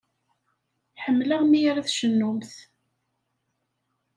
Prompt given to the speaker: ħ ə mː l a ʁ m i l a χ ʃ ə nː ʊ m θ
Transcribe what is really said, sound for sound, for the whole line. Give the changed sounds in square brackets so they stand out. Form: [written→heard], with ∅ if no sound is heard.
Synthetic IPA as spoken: ħ ə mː l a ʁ m i [l→ɾ] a [χ→θ] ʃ ə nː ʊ m θ